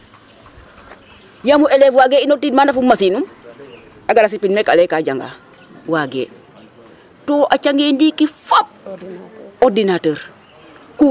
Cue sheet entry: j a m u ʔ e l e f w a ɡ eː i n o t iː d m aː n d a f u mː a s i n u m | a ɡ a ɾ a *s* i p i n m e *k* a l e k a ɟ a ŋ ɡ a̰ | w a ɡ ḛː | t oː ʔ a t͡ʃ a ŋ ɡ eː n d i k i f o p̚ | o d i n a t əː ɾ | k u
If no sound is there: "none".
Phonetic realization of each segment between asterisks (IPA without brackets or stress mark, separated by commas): s, k